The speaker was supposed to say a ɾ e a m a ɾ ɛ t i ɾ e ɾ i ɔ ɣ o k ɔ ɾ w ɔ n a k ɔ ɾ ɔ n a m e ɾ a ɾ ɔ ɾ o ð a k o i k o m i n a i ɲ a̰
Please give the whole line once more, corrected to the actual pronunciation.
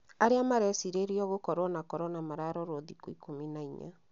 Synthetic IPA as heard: a ɾ e a m a ɾ ɛ s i ɾ e ɾ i ɔ ɣ o k ɔ ɾ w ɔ n a k ɔ ɾ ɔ n a m a ɾ a ɾ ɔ ɾ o ð i k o i k o m i n a i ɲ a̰